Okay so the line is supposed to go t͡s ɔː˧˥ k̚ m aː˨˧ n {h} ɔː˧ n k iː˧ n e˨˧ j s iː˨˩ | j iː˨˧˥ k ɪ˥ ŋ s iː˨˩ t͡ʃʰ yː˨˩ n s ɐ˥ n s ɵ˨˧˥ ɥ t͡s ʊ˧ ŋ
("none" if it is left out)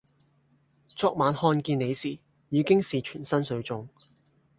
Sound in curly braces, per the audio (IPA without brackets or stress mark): h